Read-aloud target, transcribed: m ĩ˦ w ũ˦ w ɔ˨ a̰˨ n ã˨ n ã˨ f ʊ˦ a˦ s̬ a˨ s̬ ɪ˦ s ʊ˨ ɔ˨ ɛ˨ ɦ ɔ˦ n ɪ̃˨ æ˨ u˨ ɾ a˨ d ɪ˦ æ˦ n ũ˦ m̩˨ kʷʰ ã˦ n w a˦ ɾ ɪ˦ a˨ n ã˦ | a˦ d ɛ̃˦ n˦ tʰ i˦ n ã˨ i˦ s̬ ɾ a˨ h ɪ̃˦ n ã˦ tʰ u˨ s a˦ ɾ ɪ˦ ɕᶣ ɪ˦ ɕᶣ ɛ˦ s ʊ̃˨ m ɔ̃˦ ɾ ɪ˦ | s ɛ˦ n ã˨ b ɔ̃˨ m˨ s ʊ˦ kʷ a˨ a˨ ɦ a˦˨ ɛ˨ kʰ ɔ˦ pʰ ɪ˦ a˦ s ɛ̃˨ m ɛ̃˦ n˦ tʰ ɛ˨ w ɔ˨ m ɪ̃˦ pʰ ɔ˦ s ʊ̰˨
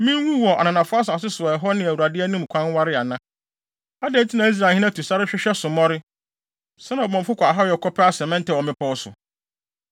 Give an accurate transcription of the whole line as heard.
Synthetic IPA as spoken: m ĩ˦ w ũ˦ w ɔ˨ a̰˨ n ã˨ n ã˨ f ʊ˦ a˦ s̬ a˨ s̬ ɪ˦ s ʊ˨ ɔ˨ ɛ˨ ɦ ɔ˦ n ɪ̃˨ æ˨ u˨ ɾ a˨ d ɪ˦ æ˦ n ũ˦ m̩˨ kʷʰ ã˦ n w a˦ ɾ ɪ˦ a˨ n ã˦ | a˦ d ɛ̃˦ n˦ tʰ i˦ n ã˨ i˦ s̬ ɾ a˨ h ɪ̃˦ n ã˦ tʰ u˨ s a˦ ɾ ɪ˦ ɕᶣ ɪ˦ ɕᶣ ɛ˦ s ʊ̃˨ m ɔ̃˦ ɾ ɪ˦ | s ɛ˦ n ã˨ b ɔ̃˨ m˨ f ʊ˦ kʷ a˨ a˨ ɦ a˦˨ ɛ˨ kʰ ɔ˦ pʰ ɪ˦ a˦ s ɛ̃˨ m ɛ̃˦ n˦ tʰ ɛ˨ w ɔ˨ m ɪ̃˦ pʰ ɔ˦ s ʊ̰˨

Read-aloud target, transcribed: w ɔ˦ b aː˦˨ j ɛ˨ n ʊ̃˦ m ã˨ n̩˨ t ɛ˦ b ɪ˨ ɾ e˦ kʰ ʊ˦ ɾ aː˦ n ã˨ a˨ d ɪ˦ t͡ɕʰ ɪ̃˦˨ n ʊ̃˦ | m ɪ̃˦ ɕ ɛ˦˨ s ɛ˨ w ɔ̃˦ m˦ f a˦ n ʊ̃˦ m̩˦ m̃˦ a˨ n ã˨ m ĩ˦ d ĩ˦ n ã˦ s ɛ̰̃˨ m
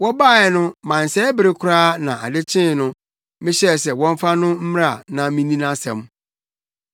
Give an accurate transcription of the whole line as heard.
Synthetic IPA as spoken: w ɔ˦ b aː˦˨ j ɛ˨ n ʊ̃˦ m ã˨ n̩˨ s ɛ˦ b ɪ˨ ɾ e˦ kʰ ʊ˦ ɾ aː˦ n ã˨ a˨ d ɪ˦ t͡ɕʰ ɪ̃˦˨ n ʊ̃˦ | m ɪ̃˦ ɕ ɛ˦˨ s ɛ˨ w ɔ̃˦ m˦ f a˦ n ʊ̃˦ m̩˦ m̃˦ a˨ n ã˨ m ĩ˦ n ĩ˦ n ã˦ s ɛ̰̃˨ m

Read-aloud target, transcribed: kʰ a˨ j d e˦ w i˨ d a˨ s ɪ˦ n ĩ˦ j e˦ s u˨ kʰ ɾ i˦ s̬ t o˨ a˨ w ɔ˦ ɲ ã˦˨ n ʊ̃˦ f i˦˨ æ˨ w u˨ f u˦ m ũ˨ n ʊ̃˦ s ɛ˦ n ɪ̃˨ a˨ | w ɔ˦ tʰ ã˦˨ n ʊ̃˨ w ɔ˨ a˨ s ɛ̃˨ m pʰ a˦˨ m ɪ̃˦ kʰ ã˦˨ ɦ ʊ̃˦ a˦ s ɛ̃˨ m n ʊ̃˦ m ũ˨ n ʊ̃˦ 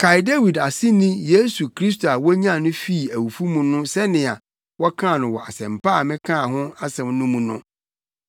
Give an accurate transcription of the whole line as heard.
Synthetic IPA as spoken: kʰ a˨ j d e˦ w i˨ d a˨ s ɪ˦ n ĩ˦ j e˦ s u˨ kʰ ɾ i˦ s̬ t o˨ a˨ w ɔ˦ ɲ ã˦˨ n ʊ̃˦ f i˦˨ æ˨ w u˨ f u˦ m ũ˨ n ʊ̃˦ s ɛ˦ n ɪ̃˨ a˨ | w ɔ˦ kʰ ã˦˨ n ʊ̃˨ w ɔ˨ a˨ s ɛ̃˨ m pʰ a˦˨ m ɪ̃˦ kʰ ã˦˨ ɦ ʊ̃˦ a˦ s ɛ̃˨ m n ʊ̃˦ m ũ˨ n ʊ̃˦

